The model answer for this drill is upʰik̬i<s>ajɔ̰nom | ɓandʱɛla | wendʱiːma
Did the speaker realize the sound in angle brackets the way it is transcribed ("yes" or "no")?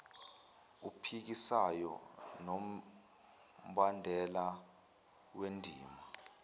yes